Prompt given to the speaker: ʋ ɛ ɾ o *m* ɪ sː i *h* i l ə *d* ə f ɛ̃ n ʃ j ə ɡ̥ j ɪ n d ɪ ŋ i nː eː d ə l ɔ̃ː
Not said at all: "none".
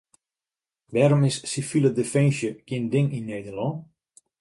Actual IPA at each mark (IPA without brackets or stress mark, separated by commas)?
m, f, d